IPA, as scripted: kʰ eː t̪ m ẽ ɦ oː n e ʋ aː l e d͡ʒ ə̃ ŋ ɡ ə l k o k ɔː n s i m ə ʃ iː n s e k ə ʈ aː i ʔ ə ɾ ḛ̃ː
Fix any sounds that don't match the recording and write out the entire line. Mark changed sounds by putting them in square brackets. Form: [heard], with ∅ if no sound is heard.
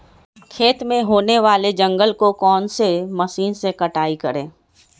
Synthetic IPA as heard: kʰ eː t̪ m ẽ ɦ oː n e ʋ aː l e d͡ʒ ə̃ ŋ ɡ ə l k o k ɔː n s [e] m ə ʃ iː n s e k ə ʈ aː i [k] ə ɾ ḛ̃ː